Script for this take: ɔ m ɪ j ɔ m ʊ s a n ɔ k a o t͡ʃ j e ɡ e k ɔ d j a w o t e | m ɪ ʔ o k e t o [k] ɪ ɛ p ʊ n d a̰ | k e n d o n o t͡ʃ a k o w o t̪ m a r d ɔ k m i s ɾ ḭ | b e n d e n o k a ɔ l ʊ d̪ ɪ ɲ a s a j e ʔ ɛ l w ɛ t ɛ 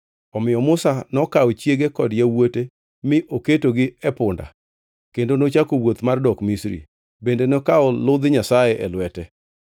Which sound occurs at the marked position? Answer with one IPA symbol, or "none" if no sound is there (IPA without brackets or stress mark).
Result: ɡ